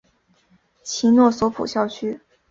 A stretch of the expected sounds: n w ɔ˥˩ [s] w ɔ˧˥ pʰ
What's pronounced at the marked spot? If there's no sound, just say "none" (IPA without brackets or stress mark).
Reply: s